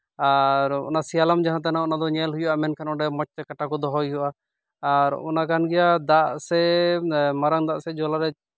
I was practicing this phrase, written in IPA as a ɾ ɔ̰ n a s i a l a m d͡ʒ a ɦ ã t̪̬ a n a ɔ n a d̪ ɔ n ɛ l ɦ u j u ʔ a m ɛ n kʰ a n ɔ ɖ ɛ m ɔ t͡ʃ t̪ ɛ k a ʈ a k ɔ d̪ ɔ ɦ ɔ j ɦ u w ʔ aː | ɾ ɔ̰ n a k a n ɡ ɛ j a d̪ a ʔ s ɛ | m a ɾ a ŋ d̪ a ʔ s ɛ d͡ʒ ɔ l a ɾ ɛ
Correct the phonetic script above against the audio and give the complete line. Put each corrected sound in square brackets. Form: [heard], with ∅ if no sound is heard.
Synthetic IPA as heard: a ɾ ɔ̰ n a s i a l a m d͡ʒ a ɦ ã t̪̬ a n a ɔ n a d̪ ɔ [ɲ] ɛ l ɦ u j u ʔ a m ɛ n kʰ a n ɔ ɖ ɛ m ɔ t͡ʃ t̪ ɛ k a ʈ a k ɔ d̪ ɔ ɦ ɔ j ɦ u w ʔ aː | ɾ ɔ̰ n a k a n ɡ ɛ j a d̪ a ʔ s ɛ | m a ɾ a ŋ d̪ a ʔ s ɛ d͡ʒ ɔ l a ɾ ɛ

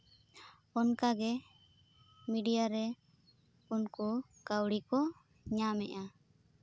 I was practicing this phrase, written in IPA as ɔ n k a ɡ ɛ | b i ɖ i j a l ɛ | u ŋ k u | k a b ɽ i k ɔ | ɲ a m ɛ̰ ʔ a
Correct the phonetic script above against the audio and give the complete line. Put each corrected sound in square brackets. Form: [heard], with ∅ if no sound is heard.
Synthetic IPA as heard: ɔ n k a ɡ ɛ | [m] i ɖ i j a [ɾ] ɛ | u [n] k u | k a [w] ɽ i k ɔ | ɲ a m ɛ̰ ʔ a

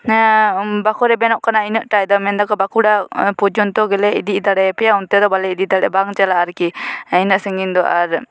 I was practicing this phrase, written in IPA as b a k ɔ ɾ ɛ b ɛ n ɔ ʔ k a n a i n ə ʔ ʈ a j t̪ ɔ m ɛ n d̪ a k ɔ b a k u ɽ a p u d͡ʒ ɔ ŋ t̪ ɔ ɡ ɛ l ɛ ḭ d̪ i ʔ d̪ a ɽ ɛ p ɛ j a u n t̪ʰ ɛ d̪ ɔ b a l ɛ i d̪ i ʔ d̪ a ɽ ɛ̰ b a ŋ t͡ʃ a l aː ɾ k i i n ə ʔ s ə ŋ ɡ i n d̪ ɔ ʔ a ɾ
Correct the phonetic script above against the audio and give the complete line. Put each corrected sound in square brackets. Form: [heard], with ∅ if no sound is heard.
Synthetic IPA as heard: b a k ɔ ɾ ɛ b ɛ n ɔ ʔ k a n a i n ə ʔ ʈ a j [d̪] ɔ m ɛ n d̪ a k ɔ b a k u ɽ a p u d͡ʒ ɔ [n] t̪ ɔ ɡ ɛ l ɛ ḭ d̪ i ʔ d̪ a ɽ ɛ p ɛ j a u n [t̪] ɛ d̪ ɔ b a l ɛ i d̪ i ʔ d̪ a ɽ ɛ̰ b a ŋ t͡ʃ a l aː ɾ k i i n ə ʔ s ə ŋ ɡ i n d̪ ɔ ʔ a ɾ

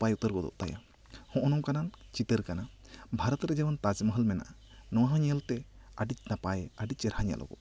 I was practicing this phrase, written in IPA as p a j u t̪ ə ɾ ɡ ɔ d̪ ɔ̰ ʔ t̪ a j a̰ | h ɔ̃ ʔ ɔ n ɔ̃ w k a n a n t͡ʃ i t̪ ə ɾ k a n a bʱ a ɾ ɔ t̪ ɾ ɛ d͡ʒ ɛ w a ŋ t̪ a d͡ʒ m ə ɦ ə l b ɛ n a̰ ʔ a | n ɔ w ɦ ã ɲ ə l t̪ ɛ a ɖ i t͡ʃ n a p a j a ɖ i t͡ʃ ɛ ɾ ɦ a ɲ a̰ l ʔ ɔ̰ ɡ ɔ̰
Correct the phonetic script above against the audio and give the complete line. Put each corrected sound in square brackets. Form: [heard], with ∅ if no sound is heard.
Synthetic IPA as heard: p a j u t̪ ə ɾ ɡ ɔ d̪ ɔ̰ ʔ t̪ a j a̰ | h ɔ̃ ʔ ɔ n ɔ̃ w k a n a n t͡ʃ i t̪ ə ɾ k a n a bʱ a ɾ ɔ t̪ ɾ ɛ d͡ʒ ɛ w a [n] t̪ a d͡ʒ m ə ɦ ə l [m] ɛ n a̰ ʔ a | n ɔ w ɦ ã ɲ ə l t̪ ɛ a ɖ i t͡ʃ n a p a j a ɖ i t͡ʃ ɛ ɾ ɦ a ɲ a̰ l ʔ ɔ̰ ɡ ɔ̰

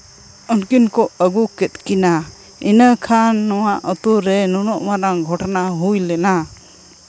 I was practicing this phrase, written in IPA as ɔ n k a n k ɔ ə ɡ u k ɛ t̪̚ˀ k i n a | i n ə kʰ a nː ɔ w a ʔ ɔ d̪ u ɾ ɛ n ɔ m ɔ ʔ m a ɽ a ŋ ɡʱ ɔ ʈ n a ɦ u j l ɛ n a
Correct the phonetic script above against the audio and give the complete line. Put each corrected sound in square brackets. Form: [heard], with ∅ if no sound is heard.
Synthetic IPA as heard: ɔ n k [i] n k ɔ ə ɡ u k ɛ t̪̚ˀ k i n a | i n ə kʰ a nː ɔ w a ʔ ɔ [t̪] u ɾ ɛ n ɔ [n] ɔ ʔ m a [ɾ] a ŋ ɡʱ ɔ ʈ n a ɦ u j l ɛ n a

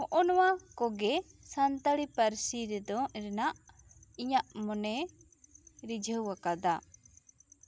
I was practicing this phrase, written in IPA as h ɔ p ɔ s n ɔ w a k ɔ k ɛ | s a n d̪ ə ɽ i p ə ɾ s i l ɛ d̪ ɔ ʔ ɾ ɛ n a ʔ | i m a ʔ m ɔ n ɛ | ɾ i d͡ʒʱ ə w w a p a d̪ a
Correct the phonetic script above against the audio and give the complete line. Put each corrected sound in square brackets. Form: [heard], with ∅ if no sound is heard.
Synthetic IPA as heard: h ɔ [ʔ] ɔ [∅] n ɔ w a k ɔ [ɡ] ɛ | s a n [t̪] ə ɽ i p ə ɾ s i [ɾ] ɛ d̪ ɔ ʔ ɾ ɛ n a ʔ | i [ɲ] a ʔ m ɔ n ɛ | ɾ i d͡ʒʱ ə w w a [k] a d̪ a

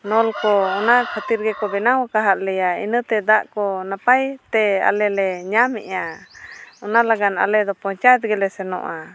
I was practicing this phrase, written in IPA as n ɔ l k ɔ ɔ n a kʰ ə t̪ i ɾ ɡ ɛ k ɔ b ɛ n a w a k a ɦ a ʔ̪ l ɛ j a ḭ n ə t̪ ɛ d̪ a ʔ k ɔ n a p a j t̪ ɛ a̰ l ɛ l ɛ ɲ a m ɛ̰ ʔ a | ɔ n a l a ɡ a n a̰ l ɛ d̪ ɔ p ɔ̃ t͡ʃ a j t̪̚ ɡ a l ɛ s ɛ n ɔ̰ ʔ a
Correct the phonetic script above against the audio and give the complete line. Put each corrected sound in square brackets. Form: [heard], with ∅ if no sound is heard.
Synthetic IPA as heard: n ɔ l k ɔ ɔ n a kʰ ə t̪ i ɾ ɡ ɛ k ɔ b ɛ n a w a k a ɦ a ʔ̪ l ɛ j a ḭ n ə t̪ ɛ d̪ a ʔ k ɔ n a p a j t̪ ɛ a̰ l ɛ l ɛ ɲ a m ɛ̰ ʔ a | ɔ n a l a ɡ a n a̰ l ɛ d̪ ɔ p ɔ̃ t͡ʃ a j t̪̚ ɡ [ɛ] l ɛ s ɛ n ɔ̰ ʔ a

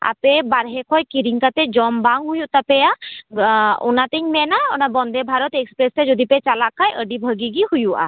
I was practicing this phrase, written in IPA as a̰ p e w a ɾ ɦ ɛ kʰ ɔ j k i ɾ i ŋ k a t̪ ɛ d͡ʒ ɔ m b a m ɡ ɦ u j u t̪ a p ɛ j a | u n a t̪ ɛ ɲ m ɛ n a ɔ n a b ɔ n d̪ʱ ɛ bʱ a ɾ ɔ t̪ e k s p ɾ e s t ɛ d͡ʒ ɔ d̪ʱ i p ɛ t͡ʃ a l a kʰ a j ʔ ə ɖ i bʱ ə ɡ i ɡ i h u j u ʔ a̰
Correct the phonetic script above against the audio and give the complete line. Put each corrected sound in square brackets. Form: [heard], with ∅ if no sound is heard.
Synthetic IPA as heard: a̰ p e [b] a ɾ ɦ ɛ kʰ ɔ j k i ɾ i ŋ k a t̪ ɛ d͡ʒ ɔ m b a [ŋ] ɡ ɦ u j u t̪ a p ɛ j a | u n a t̪ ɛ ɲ m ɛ n a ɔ n a b ɔ n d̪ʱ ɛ bʱ a ɾ ɔ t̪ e k s p ɾ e s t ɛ d͡ʒ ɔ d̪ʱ i p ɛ t͡ʃ a l a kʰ a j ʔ ə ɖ i bʱ ə ɡ i ɡ i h u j u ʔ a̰

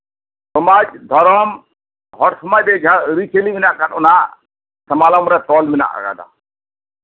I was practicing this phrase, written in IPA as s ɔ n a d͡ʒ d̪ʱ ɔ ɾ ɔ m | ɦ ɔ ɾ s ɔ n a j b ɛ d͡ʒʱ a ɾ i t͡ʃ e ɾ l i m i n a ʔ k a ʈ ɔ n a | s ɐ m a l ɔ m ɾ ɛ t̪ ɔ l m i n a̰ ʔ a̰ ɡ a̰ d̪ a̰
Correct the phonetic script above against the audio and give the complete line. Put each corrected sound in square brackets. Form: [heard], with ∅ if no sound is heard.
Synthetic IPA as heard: s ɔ [m] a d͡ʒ d̪ʱ ɔ ɾ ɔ m | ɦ ɔ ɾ s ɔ [m] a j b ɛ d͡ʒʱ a ɾ i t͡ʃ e [∅] l i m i n a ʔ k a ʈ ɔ n a | s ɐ m a l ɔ m ɾ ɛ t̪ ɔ l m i n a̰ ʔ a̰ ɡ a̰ d̪ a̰

